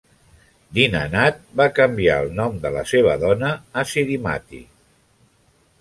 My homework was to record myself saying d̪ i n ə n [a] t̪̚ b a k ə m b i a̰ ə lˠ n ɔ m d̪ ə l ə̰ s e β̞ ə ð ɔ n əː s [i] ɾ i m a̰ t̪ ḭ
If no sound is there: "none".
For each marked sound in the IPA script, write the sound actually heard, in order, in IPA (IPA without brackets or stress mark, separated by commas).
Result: a, i